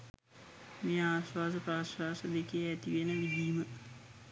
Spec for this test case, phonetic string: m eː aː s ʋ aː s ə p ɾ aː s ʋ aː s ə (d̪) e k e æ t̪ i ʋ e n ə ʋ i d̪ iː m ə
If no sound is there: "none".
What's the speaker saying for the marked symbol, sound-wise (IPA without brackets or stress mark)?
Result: d̪